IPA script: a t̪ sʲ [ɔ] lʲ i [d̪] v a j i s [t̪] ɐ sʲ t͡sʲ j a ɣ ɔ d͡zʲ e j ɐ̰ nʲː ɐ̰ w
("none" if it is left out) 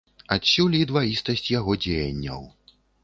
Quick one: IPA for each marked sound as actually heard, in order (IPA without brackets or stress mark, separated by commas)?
u, d̪, t̪